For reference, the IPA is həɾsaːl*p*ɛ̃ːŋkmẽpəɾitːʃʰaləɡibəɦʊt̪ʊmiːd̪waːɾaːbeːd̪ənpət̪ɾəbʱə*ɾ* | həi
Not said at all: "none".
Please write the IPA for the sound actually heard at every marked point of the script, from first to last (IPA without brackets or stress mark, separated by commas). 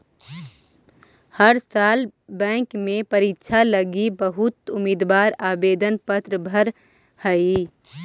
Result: b, ɾ